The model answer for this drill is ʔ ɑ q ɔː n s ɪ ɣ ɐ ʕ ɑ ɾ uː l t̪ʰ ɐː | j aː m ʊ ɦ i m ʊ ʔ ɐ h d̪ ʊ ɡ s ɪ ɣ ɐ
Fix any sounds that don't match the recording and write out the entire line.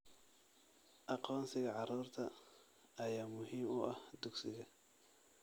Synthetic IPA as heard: ʔ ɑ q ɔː n s ɪ ɣ ɐ ʕ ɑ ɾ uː r t̪ʰ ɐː | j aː m ʊ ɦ iː m ʊ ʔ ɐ h d̪ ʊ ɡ s ɪ ɣ ɐ